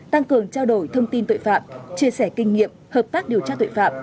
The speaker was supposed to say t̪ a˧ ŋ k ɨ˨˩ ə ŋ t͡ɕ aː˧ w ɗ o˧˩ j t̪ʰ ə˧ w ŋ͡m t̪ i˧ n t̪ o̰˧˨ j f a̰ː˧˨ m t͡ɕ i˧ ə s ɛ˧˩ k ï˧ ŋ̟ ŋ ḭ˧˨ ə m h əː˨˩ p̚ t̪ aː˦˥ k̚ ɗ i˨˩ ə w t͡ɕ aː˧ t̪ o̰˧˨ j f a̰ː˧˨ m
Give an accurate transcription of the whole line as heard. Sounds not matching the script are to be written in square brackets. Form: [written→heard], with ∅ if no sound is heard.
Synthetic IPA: t̪ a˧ ŋ k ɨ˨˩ ə ŋ t͡ɕ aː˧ w ɗ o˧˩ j t̪ʰ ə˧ w ŋ͡m t̪ i˧ n t̪ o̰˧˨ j f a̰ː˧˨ m t͡ɕ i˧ ə s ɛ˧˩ k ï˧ ŋ̟ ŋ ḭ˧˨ ə m h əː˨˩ p̚ t̪ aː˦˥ k̚ ɗ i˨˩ ə w t͡ɕ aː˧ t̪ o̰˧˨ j f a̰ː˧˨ m